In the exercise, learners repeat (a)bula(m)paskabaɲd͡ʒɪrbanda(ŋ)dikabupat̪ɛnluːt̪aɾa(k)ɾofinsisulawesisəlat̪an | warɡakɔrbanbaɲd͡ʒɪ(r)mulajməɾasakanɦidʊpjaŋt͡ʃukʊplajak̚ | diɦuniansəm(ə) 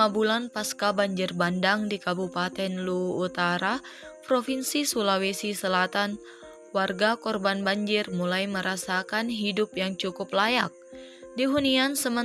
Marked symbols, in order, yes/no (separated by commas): yes, no, yes, no, yes, yes